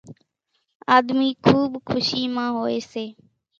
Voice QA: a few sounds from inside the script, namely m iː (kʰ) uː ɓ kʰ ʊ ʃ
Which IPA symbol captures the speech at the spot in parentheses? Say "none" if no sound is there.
kʰ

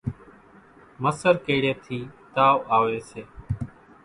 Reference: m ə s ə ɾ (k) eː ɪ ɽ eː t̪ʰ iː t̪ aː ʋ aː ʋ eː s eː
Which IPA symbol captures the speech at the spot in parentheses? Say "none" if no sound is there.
k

